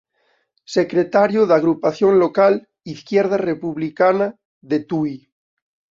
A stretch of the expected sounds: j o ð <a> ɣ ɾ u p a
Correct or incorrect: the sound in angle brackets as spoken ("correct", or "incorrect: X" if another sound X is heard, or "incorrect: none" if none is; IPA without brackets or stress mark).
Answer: correct